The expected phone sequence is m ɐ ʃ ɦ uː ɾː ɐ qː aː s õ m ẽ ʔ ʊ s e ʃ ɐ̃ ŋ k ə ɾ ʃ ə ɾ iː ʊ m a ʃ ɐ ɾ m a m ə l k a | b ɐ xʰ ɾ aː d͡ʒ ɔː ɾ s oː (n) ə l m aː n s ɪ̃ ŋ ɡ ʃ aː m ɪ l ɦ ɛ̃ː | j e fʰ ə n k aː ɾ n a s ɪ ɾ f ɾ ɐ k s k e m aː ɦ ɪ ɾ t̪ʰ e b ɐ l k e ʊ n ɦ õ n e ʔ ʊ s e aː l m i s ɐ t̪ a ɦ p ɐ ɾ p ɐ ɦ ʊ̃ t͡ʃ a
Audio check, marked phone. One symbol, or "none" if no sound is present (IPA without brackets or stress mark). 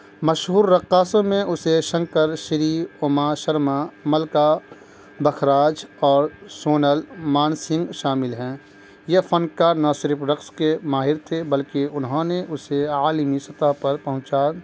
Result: n